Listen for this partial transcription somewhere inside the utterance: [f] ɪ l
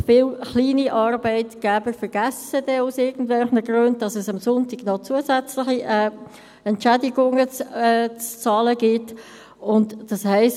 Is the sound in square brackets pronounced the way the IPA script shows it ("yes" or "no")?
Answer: yes